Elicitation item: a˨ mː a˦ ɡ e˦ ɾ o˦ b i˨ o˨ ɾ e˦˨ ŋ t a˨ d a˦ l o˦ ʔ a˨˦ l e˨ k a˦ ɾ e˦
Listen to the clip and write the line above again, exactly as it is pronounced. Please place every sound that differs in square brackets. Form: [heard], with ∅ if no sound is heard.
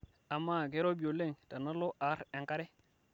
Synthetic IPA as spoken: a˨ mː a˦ ɡ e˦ ɾ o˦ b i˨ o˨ [l] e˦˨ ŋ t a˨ [n] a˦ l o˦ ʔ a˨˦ [ɾ] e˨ k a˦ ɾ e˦

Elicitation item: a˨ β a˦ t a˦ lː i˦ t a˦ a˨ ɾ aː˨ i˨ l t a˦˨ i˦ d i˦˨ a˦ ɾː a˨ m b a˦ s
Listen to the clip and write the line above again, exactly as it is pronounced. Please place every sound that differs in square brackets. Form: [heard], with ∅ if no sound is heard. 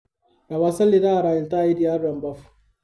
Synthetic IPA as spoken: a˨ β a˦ [s] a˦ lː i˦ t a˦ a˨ ɾ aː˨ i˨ l t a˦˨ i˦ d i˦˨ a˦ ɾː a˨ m b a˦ [f]

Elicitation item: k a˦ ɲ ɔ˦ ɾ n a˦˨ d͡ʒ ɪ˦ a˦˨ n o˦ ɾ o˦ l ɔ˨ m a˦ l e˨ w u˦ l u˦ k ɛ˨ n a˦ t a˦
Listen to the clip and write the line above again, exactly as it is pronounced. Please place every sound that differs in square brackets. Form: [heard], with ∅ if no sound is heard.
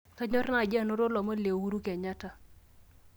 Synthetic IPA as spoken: k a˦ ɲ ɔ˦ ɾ n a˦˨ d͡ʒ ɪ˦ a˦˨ n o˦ ɾ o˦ l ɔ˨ m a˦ l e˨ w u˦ [ɾ] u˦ k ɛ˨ [ɲ] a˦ t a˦

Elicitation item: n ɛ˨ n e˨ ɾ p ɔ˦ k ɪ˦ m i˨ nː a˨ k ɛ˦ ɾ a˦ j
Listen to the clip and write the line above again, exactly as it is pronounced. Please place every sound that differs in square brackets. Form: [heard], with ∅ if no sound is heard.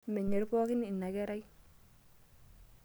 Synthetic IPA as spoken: [m] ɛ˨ [ɲ] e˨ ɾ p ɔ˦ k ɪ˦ [n] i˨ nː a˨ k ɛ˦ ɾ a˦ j

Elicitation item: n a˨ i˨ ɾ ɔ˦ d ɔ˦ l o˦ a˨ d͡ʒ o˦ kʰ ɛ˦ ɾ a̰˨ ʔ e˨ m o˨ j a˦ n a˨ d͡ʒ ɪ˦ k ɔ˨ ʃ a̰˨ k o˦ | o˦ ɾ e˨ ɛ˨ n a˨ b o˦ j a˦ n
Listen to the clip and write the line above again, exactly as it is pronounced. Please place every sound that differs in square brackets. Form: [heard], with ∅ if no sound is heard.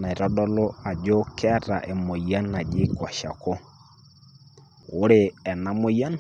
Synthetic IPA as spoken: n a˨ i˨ ɾ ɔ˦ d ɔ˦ l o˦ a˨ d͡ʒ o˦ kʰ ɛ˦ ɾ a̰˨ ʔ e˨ m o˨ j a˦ n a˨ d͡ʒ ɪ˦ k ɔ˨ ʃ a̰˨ k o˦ | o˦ ɾ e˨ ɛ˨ n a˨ [m] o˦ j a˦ n

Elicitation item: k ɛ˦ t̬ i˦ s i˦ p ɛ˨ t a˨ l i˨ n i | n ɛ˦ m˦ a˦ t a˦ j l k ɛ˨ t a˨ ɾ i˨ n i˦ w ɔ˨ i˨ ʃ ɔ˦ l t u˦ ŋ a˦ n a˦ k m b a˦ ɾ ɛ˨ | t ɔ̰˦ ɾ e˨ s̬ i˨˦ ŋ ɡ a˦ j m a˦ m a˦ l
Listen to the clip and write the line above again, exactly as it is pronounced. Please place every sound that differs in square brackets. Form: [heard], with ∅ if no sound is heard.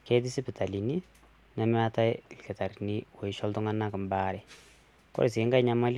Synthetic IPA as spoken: k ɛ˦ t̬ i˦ s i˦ p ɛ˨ t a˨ l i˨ n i | n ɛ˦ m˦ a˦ t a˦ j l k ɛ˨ t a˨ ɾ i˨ n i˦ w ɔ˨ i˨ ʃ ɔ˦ l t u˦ ŋ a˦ n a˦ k m b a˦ ɾ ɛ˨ | [k] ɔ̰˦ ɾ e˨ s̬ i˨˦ ŋ ɡ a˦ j [ɲ] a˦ m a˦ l

